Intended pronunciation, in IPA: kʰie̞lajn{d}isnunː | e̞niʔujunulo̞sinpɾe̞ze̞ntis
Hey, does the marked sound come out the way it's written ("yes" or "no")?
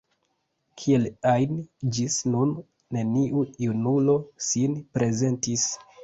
no